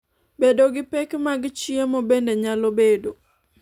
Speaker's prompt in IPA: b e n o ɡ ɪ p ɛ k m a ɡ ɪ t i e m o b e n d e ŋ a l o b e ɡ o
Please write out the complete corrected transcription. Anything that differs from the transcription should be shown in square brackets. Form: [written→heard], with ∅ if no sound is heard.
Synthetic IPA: b e [n→d] o ɡ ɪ p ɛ k m a ɡ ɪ [t→t͡ʃ] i e m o b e n d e [ŋ→ɲ] a l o b e [ɡ→d] o